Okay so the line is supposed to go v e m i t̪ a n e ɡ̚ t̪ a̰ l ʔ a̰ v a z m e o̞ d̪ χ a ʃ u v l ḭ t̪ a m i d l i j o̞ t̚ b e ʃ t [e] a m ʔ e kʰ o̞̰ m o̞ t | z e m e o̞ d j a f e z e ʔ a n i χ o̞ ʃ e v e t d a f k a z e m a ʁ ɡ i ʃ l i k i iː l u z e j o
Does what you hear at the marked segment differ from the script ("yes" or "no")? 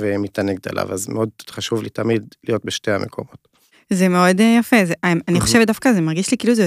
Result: no